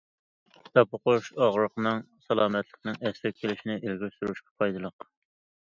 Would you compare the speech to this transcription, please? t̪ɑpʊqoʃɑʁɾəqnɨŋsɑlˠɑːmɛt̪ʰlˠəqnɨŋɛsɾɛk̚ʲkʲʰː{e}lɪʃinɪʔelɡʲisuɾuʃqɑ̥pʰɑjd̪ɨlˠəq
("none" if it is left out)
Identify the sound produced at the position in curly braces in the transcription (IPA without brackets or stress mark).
e